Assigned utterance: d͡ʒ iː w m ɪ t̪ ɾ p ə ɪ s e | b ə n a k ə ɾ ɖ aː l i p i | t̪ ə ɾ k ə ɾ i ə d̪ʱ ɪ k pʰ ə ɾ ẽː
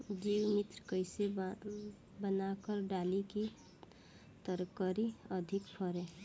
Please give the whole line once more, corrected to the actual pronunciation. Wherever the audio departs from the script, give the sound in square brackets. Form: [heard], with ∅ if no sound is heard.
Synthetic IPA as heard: d͡ʒ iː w m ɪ t̪ ɾ [k] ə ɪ s e | b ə n a k ə ɾ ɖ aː l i [k] i | t̪ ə ɾ k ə ɾ i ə d̪ʱ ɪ k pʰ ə ɾ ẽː